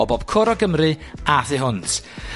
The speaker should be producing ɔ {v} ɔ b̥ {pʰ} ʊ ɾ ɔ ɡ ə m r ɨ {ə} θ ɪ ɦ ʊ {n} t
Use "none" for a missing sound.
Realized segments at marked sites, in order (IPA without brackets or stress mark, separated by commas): b, kʰ, a, n